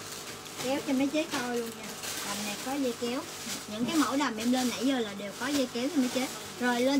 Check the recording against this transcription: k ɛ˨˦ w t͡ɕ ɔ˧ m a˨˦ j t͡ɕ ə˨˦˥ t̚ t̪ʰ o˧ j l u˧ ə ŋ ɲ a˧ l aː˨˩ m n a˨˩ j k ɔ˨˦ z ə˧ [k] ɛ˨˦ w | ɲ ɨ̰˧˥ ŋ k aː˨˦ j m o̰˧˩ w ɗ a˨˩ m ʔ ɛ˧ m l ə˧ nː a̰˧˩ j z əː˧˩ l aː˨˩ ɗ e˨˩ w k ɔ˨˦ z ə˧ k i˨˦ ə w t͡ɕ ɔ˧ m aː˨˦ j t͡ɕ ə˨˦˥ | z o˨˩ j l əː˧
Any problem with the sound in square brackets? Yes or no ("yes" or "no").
no